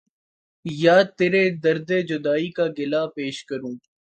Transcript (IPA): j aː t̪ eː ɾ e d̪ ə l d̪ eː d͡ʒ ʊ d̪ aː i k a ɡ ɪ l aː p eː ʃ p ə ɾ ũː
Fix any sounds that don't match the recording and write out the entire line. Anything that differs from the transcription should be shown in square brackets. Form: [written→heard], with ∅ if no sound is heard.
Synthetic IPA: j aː t̪ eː ɾ e d̪ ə [l→ɾ] d̪ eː d͡ʒ ʊ d̪ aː i k a ɡ ɪ l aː p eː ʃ [p→k] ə ɾ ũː